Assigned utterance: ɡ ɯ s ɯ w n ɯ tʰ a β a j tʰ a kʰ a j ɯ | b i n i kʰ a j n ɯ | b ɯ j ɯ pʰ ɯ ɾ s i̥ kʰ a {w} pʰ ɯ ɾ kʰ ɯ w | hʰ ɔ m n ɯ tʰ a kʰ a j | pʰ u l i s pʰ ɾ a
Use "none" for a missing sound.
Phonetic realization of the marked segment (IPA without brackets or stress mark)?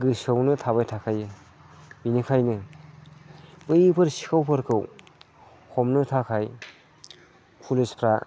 w